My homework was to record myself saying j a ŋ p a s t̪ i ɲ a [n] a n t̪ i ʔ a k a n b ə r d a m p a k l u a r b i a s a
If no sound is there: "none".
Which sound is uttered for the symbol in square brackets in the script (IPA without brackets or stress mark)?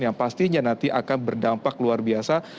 n